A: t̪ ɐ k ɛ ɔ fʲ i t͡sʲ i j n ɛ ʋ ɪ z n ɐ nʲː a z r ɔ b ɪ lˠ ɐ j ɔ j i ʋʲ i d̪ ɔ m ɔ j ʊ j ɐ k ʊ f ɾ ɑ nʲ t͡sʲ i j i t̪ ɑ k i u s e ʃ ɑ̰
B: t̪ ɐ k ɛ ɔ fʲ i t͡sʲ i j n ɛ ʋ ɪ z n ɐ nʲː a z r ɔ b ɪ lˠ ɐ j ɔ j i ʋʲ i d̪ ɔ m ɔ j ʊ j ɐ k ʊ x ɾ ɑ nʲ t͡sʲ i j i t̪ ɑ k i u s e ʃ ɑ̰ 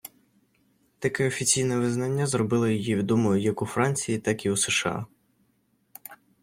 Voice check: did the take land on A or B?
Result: A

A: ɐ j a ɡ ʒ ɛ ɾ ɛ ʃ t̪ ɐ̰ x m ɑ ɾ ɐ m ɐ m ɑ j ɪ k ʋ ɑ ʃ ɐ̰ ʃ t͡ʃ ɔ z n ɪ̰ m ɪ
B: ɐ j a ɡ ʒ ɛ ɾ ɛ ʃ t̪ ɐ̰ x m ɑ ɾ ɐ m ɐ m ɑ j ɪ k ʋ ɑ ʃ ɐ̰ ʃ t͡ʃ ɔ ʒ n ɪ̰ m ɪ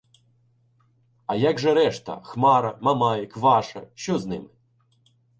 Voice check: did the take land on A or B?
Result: A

